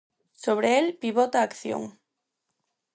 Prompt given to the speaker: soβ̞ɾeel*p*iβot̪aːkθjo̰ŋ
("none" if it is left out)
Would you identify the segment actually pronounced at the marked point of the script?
p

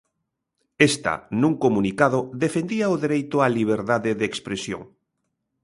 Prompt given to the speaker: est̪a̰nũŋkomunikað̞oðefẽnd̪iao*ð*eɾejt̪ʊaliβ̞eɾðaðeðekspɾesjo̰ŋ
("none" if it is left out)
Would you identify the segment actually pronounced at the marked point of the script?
ð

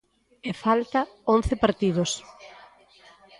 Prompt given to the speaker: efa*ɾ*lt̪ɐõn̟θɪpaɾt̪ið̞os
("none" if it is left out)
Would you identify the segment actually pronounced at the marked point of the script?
none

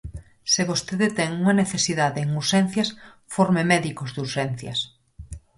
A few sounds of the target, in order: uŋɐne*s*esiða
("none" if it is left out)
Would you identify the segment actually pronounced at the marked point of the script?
θ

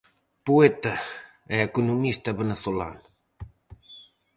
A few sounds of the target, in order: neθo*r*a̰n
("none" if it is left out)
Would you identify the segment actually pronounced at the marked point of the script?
l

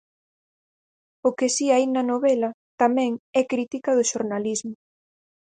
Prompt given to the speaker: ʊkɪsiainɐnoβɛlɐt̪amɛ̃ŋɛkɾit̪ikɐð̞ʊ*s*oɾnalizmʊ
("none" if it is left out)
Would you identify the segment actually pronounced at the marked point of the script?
ʃ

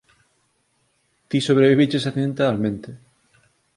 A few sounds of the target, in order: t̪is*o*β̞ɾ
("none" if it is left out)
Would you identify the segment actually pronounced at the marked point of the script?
o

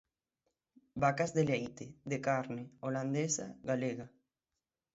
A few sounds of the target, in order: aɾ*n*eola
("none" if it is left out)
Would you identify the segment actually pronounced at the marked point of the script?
n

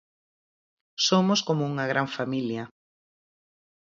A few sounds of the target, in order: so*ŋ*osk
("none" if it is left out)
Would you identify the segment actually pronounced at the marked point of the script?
m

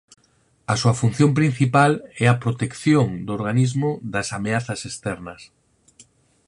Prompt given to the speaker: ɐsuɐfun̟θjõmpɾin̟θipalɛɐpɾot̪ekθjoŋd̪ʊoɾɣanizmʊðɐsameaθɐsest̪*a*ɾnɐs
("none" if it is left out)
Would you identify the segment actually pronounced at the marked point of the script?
ɛ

